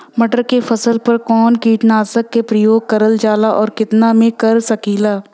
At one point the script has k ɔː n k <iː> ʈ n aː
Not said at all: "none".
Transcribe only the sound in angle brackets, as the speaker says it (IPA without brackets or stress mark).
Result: iː